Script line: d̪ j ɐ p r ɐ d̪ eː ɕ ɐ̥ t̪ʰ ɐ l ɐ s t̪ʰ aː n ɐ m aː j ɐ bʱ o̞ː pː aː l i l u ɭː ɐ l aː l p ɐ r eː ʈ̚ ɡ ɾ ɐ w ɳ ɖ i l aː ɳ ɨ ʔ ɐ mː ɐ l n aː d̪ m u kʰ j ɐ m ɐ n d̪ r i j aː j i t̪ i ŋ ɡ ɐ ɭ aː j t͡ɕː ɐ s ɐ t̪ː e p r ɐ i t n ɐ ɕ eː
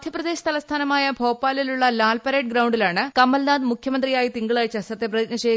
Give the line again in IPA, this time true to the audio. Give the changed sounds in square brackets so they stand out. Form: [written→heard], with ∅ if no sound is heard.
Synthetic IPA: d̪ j ɐ p r ɐ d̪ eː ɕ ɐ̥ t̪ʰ ɐ l ɐ s t̪ʰ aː n ɐ m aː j ɐ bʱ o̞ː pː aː l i l u ɭː ɐ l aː l p ɐ [r→ɾ] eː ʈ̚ ɡ ɾ ɐ w ɳ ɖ i l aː ɳ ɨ [ʔ→k] ɐ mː ɐ l n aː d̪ m u kʰ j ɐ m ɐ n d̪ r i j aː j i t̪ i ŋ ɡ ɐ ɭ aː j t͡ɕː ɐ s ɐ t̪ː e p r ɐ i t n ɐ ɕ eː